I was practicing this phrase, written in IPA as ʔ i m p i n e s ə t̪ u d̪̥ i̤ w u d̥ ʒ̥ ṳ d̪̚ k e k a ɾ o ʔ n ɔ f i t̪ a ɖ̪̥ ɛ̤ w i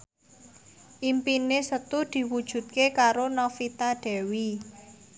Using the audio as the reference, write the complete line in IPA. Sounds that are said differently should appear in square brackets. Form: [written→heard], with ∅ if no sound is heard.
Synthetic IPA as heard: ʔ i m p i n e s ə t̪ u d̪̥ i̤ w u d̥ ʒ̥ ṳ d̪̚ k e k a ɾ o [ʔ→∅] n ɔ f i t̪ a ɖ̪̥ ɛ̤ w i